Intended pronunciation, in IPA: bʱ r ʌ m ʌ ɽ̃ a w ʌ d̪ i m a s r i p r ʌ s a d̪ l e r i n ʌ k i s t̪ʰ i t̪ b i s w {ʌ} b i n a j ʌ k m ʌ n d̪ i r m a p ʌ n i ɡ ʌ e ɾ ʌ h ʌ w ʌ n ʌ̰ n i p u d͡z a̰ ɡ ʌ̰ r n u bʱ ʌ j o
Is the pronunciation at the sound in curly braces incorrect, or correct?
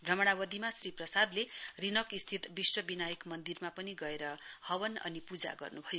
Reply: correct